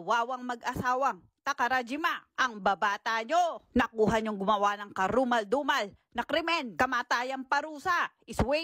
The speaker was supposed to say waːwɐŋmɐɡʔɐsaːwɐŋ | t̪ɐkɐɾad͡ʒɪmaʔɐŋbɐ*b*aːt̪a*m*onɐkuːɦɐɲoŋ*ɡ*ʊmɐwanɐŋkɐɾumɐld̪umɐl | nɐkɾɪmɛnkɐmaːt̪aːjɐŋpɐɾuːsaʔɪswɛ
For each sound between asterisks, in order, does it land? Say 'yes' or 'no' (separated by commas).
yes, no, yes